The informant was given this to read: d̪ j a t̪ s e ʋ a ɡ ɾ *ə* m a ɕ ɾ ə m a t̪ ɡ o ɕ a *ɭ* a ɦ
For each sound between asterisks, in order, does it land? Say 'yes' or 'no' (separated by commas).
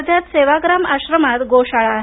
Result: no, yes